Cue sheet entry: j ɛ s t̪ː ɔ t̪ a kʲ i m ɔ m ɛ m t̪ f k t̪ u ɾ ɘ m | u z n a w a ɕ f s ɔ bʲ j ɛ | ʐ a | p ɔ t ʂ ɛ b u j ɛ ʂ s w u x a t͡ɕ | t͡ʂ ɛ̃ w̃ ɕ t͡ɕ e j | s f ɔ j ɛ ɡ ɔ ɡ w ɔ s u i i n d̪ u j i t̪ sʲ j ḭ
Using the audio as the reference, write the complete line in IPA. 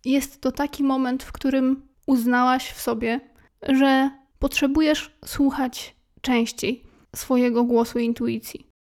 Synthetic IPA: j ɛ s t̪ː ɔ t̪ a kʲ i m ɔ m ɛ n t̪ f k t̪ u ɾ ɘ m | u z n a w a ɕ f s ɔ bʲ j ɛ | ʐ ɛ | p ɔ t ʂ ɛ b u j ɛ ʂ s w u x a t͡ɕ | t͡ʂ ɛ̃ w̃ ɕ t͡ɕ e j | s f ɔ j ɛ ɡ ɔ ɡ w ɔ s u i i n t̪ u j i t̪ sʲ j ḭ